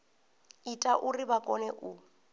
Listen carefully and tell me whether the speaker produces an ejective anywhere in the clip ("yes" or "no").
yes